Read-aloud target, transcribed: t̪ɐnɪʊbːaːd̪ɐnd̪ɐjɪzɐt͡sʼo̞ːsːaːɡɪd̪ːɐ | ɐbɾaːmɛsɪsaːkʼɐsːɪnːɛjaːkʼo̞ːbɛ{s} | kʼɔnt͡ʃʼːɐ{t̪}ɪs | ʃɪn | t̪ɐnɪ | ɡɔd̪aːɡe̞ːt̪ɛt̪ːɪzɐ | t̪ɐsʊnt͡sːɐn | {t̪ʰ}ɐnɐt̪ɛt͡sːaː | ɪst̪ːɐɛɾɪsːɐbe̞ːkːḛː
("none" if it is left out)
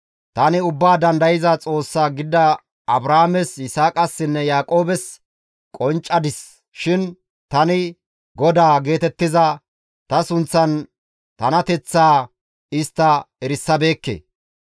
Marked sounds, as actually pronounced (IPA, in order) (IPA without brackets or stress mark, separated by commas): s, d̪, t̪